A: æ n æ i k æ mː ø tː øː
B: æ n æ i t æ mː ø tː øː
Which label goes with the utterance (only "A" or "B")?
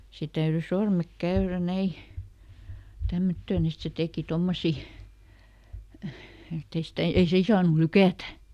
B